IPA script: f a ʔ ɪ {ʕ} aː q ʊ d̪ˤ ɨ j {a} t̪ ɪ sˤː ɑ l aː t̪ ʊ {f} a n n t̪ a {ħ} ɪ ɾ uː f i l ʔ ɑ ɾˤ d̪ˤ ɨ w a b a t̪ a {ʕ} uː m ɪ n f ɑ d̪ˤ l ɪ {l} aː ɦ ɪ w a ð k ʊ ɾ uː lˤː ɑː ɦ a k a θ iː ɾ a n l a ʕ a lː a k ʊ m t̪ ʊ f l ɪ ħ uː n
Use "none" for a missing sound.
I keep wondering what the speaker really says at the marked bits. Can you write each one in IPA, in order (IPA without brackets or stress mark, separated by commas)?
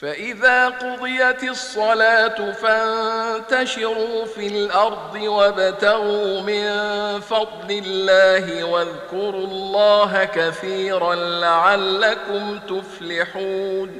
ð, a, f, ʃ, ɣ, lː